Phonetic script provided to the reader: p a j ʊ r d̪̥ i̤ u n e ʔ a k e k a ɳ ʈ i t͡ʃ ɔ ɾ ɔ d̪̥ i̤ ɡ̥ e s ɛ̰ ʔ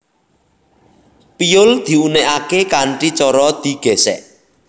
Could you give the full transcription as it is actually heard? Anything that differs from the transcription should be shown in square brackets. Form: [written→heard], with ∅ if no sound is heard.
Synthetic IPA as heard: p [a→i] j ʊ [r→l] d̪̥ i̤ u n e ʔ a k e k a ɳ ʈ i t͡ʃ ɔ ɾ ɔ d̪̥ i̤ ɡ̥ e s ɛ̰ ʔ